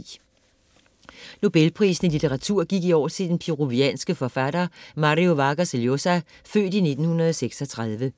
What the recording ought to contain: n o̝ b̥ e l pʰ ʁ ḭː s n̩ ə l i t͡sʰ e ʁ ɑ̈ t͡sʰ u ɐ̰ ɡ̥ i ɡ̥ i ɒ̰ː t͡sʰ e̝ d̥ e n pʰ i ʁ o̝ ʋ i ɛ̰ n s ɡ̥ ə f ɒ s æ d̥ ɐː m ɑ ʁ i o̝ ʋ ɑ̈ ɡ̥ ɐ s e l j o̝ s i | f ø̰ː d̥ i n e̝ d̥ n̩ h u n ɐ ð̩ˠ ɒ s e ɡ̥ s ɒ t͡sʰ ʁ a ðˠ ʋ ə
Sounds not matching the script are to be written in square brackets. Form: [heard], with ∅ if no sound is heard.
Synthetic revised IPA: n o̝ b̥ e l pʰ ʁ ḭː s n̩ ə l i t͡sʰ e ʁ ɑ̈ t͡sʰ u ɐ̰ ɡ̥ i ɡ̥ i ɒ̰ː t͡sʰ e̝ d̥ e n pʰ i ʁ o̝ ʋ i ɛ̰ n s ɡ̥ ə f ɒ [f] æ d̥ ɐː m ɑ ʁ i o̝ ʋ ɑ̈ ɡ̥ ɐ s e l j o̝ s [æ] | f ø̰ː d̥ i n e̝ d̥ n̩ h u n ɐ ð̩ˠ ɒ s e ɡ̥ s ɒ t͡sʰ ʁ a ðˠ ʋ ə